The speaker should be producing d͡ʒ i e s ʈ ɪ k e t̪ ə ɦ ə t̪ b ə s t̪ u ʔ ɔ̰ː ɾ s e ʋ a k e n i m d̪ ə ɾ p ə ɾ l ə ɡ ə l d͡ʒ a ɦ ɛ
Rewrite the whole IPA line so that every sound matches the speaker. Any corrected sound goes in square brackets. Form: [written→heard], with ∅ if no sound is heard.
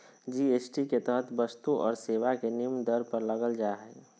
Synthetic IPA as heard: d͡ʒ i e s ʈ [ɪ→i] k e t̪ ə ɦ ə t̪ b ə s t̪ u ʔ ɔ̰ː ɾ s e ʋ a k e n i m d̪ ə ɾ p ə ɾ l ə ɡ ə l d͡ʒ a ɦ ɛ